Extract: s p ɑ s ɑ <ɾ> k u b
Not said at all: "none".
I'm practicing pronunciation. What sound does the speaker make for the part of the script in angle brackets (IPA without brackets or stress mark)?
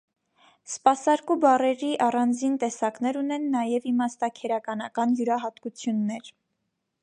ɾ